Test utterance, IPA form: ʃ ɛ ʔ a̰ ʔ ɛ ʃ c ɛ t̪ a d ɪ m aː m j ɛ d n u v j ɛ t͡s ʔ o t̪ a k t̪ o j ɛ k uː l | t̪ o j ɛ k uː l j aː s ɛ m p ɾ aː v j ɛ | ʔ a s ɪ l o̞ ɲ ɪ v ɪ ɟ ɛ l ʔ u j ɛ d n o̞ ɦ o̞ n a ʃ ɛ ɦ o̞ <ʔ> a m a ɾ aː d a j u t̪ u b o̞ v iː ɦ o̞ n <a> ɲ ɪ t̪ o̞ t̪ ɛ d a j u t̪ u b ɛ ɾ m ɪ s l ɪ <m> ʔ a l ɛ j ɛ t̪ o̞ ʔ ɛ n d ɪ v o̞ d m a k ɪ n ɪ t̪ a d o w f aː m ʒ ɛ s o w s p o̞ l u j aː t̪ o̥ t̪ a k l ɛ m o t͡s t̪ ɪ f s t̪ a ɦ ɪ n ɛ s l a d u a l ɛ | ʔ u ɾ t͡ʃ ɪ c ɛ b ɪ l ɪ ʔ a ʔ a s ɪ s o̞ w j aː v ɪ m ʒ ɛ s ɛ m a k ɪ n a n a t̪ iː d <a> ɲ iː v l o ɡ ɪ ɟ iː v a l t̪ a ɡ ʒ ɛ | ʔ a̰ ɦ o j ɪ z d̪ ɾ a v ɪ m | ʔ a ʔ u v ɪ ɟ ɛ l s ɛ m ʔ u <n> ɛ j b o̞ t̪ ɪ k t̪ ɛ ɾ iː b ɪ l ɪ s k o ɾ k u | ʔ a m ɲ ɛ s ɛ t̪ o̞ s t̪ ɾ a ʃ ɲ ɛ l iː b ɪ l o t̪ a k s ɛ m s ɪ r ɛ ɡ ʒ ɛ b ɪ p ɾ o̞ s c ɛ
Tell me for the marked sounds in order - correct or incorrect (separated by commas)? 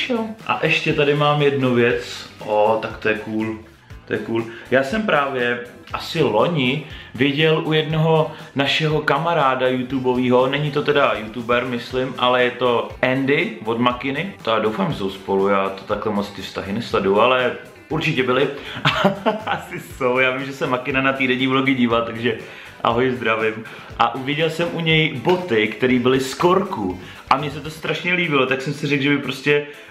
incorrect, incorrect, correct, incorrect, incorrect